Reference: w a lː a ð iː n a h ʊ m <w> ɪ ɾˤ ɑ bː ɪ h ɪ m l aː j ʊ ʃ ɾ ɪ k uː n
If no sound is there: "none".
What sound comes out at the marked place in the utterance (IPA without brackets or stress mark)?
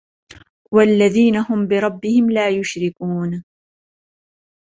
b